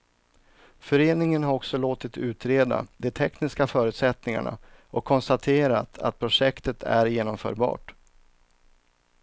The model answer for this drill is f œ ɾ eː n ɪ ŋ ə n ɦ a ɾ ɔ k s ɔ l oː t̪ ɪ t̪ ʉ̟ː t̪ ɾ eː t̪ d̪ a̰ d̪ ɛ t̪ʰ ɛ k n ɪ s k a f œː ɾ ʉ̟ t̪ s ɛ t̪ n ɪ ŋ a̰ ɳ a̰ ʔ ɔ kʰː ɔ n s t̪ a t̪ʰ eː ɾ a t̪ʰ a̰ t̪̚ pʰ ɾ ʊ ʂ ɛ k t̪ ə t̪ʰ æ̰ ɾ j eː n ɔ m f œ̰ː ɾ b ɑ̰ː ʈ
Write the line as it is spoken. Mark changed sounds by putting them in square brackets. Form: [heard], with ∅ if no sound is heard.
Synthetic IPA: f œ ɾ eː n ɪ ŋ ə n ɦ a ɾ ɔ k s ɔ l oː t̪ ɪ t̪ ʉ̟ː t̪ ɾ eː [∅] d̪ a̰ d̪ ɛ t̪ʰ ɛ k n ɪ s k a f œː ɾ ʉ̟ t̪ s ɛ t̪ n ɪ ŋ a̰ ɳ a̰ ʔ ɔ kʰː ɔ n s t̪ a t̪ʰ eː ɾ a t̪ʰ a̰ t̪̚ pʰ ɾ ʊ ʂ ɛ k t̪ ə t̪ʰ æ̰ ɾ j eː n ɔ m f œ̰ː ɾ b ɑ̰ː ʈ